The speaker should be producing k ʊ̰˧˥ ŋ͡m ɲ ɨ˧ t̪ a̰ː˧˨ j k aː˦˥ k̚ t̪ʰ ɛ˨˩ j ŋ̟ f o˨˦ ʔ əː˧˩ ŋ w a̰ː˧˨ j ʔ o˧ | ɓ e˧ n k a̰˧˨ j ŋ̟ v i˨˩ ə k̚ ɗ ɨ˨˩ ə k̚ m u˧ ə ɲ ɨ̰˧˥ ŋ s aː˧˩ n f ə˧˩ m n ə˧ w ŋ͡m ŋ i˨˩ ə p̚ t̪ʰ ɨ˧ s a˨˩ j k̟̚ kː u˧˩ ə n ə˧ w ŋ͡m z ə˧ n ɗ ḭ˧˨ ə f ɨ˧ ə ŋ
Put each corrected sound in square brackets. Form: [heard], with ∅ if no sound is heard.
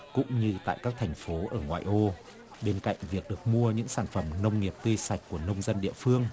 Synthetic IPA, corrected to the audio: k ʊ̰˧˥ ŋ͡m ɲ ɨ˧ t̪ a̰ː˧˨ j k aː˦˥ k̚ t̪ʰ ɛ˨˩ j ŋ̟ f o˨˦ ʔ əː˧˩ ŋ w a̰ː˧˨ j ʔ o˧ | ɓ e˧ n k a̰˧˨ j ŋ̟ v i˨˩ ə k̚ ɗ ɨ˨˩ ə k̚ m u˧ ə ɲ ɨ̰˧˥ ŋ s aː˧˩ n f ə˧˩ m n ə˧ w ŋ͡m ŋ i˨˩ ə p̚ [t̪] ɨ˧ s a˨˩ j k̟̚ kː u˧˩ ə n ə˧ w ŋ͡m z ə˧ n ɗ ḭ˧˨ ə f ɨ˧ ə ŋ